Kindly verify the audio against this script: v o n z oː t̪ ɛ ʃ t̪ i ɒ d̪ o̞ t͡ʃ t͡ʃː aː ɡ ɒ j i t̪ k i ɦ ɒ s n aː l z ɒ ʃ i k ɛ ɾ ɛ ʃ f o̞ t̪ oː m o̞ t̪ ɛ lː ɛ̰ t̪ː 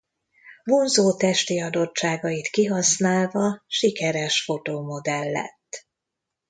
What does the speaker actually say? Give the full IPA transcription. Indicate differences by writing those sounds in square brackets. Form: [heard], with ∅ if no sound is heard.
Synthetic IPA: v o n z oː t̪ ɛ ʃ t̪ i ɒ d̪ o̞ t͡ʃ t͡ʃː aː ɡ ɒ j i t̪ k i ɦ ɒ s n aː l [v] ɒ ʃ i k ɛ ɾ ɛ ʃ f o̞ t̪ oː m o̞ [d̪] ɛ lː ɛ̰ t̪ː